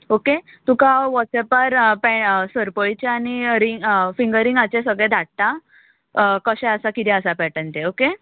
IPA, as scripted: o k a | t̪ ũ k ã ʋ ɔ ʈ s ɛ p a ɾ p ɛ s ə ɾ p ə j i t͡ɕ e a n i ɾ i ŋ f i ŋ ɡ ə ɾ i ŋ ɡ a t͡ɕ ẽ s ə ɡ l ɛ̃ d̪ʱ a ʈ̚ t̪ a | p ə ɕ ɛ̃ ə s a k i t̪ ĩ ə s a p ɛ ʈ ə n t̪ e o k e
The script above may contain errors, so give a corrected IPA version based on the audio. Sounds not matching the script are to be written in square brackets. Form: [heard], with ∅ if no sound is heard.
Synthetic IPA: o k [e] | t̪ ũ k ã ʋ ɔ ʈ s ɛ p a ɾ p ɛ s ə ɾ p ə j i t͡ɕ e a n i ɾ i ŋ f i ŋ ɡ ə ɾ i ŋ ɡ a t͡ɕ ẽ s ə ɡ [ɭ] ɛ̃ d̪ʱ a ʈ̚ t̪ a | [k] ə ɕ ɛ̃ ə s a k i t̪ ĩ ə s a p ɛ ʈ ə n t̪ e o k e